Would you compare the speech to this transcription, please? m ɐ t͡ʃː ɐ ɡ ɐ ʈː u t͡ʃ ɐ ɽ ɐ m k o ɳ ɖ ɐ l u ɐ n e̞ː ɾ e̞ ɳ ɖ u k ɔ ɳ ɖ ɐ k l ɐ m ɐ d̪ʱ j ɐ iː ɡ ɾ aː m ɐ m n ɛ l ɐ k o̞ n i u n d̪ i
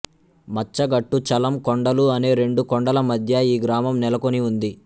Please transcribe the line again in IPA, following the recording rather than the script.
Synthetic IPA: m ɐ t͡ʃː ɐ ɡ ɐ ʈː u t͡ʃ ɐ l ɐ m k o ɳ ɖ ɐ l u ɐ n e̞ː ɾ e̞ ɳ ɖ u k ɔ ɳ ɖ ɐ l ɐ m ɐ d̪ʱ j ɐ iː ɡ ɾ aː m ɐ m n ɛ l ɐ k o̞ n i u n d̪ i